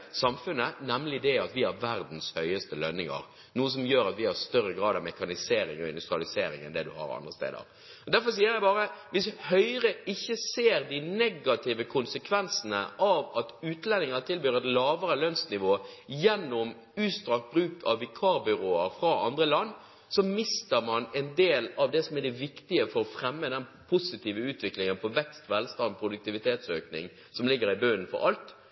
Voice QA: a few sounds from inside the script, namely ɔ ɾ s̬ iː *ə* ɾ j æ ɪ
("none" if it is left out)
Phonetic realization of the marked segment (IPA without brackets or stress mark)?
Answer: ə